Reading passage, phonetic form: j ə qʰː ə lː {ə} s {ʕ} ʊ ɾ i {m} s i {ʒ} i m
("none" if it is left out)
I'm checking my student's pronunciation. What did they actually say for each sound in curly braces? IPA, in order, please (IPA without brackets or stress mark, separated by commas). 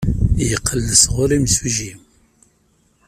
ə, ʁ, m, ʒ